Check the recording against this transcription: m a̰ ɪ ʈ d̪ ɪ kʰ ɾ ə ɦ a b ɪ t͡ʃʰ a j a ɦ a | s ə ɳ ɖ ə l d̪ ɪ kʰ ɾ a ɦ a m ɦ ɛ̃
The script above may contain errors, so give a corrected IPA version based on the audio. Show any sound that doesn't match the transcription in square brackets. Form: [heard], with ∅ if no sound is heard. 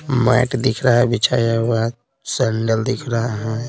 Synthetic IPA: m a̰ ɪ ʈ d̪ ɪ kʰ ɾ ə ɦ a b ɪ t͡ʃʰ a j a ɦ a | s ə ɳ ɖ ə l d̪ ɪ kʰ ɾ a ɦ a [∅] ɦ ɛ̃